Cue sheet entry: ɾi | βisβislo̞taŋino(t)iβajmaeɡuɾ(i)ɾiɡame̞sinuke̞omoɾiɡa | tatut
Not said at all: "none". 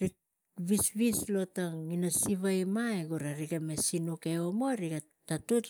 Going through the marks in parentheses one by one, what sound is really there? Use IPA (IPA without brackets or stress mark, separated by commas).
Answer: s, a